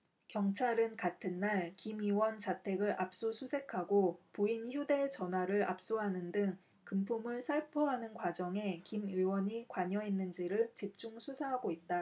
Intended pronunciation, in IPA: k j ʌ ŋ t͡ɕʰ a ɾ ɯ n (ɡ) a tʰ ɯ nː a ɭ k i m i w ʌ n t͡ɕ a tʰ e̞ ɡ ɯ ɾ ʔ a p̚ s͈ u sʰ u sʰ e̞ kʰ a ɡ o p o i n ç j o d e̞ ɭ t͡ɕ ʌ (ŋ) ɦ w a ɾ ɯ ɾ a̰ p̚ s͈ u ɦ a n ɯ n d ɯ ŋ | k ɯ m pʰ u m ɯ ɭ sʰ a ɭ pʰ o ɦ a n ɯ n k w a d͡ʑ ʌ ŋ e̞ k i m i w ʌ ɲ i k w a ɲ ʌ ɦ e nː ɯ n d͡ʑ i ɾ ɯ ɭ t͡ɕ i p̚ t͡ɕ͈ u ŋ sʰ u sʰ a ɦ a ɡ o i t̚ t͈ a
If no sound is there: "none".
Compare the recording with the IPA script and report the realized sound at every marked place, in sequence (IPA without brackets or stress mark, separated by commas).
k, n